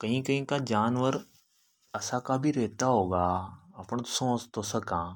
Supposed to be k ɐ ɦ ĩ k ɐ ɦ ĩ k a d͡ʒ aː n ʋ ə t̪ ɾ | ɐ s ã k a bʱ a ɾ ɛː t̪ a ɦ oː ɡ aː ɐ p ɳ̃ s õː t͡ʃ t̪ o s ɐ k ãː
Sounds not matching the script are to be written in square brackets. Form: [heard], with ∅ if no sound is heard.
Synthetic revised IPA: k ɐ ɦ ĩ k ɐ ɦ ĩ k a d͡ʒ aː n ʋ ə [∅] ɾ | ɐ s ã k a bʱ [i] ɾ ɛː t̪ a ɦ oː ɡ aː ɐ p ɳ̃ s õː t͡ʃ t̪ o s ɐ k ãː

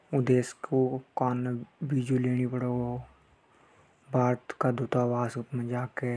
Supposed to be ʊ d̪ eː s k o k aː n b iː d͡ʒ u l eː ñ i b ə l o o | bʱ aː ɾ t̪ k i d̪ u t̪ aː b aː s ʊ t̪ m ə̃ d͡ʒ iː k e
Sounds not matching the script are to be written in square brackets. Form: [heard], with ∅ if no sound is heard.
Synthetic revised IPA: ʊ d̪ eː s k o k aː n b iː d͡ʒ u l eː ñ i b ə [ɽ] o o | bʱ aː ɾ t̪ k [a] d̪ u t̪ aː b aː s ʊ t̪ m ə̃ d͡ʒ [aː] k e

